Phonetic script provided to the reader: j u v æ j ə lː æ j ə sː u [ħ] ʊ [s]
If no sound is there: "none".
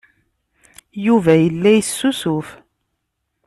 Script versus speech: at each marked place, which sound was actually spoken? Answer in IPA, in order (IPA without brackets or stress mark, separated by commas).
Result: s, f